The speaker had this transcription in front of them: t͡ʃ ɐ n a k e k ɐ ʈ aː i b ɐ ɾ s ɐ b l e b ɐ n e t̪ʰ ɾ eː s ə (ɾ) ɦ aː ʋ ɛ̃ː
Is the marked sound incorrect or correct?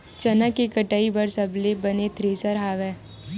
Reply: correct